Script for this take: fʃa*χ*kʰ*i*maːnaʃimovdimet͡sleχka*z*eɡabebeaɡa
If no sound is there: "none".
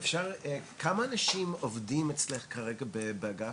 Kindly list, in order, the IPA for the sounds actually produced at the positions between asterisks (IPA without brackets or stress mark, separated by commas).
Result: ʁ, a, ʁ